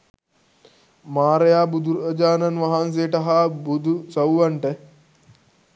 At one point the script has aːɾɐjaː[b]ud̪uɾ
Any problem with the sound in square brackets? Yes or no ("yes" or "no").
no